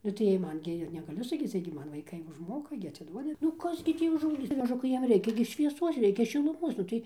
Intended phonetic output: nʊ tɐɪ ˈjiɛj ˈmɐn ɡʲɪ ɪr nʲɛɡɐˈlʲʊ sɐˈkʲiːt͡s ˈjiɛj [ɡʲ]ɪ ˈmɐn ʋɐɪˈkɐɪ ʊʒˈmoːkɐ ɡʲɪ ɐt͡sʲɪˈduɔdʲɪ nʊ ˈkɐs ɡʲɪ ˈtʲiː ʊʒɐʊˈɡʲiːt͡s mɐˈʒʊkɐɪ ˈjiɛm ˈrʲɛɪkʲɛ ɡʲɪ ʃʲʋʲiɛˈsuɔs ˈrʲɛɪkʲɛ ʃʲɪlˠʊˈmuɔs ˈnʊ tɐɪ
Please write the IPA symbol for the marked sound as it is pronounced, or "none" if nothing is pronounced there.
ɡʲ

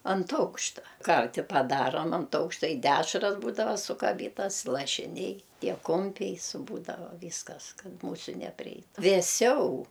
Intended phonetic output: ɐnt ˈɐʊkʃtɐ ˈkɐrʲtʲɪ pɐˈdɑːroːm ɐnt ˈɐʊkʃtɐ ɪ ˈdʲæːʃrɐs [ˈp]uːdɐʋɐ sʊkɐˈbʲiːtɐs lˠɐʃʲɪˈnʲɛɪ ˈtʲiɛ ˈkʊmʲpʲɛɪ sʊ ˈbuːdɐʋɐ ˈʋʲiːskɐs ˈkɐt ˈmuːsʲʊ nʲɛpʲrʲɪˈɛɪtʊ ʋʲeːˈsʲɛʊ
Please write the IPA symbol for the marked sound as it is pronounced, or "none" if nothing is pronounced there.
b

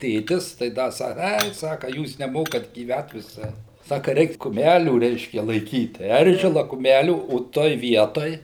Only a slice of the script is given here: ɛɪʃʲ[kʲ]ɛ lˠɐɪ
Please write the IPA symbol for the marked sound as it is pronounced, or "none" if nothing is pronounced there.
kʲ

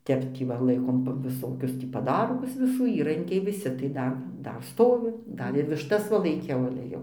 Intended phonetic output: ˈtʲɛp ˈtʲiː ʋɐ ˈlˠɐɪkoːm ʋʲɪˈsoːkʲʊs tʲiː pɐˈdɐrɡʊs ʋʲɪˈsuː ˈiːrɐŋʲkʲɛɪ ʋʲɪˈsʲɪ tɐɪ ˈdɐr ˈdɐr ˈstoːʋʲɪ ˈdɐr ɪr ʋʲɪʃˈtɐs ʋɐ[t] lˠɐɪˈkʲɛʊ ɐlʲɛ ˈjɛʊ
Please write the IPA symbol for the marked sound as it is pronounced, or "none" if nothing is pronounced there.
none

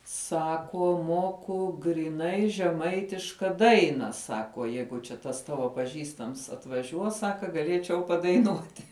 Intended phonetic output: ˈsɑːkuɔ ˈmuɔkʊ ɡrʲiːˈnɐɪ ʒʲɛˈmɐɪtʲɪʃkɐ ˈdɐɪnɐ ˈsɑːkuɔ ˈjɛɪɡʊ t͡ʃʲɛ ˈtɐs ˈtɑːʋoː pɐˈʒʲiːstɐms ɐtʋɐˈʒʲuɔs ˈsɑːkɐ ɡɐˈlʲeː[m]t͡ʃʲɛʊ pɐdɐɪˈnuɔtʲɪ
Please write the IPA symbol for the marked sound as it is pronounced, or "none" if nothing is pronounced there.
none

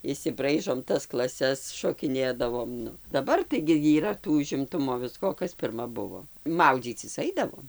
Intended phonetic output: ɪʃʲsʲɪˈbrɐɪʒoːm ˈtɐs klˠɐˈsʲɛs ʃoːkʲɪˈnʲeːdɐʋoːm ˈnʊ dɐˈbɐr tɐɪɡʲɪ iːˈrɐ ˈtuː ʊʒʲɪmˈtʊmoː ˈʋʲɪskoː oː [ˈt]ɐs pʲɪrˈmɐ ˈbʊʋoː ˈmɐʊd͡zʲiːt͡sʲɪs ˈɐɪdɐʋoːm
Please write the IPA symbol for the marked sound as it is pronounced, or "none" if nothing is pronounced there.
k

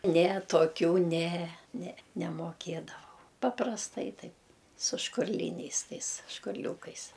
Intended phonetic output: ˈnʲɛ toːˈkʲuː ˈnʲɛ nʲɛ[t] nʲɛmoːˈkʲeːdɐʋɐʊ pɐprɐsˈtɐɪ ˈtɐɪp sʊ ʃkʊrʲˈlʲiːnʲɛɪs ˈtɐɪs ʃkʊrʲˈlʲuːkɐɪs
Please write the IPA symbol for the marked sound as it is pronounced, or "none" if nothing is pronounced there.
none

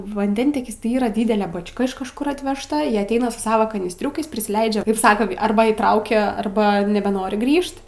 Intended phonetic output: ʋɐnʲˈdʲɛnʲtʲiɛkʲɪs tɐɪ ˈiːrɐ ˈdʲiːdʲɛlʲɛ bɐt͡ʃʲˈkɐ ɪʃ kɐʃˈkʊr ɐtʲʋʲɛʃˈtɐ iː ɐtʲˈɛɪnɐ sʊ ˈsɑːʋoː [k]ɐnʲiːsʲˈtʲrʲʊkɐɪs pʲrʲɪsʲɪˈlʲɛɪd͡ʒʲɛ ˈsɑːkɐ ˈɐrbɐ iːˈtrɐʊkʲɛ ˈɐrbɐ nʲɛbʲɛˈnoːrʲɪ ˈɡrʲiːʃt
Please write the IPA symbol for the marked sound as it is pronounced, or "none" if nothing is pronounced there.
k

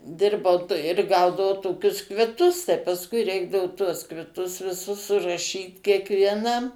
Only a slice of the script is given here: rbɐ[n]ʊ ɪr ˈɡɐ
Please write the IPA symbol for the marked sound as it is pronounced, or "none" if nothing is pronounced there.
none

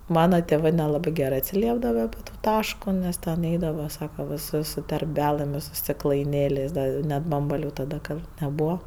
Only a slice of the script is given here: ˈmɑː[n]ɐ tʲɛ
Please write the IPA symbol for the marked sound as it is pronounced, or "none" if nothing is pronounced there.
n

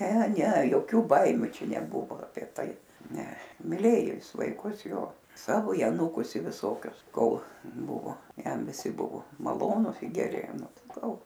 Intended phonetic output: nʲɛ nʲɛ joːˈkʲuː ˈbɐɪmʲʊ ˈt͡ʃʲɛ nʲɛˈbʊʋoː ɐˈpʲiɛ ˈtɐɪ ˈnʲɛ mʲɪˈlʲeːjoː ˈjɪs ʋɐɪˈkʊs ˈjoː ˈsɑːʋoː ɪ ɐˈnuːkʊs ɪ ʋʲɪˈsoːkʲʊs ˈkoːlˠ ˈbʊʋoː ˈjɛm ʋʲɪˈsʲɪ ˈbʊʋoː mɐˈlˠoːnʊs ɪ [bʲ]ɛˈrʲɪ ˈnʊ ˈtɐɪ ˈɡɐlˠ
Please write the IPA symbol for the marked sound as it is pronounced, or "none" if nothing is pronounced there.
ɡʲ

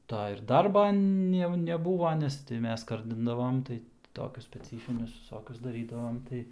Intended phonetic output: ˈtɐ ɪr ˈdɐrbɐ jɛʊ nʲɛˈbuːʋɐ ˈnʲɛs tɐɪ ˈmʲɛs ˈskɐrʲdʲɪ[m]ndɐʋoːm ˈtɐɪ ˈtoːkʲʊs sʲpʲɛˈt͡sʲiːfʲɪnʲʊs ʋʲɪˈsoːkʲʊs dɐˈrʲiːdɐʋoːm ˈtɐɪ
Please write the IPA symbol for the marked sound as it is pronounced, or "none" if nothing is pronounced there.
none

